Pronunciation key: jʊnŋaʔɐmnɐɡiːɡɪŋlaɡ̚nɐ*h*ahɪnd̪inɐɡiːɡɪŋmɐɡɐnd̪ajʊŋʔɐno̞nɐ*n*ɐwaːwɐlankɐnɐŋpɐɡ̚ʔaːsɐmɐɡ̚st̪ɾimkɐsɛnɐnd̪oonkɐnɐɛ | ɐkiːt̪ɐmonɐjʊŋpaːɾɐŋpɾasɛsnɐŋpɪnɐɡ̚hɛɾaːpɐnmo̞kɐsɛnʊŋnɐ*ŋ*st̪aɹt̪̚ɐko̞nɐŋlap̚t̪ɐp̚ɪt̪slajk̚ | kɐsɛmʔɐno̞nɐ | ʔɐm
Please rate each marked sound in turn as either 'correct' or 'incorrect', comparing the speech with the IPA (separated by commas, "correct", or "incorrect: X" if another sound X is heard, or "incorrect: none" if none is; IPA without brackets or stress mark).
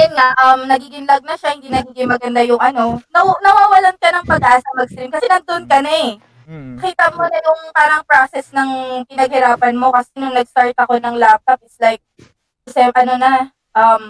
incorrect: ʃ, correct, incorrect: ɡ